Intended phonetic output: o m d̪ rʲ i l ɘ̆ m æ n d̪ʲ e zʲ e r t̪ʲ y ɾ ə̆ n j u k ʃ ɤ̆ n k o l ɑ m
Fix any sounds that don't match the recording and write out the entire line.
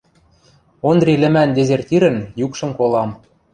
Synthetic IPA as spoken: o n d̪ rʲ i l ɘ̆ m æ n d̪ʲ e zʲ e r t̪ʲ i ɾ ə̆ n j u k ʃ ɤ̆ m k o l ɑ m